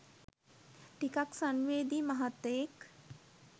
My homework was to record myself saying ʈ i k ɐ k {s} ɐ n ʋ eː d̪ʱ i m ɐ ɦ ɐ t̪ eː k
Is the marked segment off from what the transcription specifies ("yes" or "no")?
no